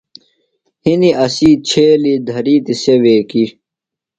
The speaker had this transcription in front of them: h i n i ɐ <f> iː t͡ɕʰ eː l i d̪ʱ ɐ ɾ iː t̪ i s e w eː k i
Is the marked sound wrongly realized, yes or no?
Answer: yes